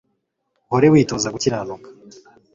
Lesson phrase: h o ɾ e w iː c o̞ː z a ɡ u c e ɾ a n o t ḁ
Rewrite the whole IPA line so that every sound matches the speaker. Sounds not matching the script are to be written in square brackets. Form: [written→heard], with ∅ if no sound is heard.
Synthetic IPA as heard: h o ɾ e w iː [c→t] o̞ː z a ɡ u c [e→i] ɾ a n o [t→k] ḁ

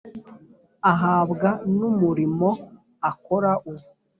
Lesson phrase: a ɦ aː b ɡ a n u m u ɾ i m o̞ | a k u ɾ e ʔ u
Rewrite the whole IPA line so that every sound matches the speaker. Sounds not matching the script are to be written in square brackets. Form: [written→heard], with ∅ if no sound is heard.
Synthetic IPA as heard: a ɦ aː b ɡ a n u m u ɾ i m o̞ | a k [u→o] ɾ [e→a] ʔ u

